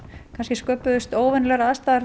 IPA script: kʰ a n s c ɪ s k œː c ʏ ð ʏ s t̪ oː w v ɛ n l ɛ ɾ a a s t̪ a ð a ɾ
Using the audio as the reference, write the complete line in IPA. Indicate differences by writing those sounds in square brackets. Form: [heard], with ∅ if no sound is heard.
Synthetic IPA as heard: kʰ a n s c ɪ s k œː [p] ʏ ð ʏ s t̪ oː w v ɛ n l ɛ ɾ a a s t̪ a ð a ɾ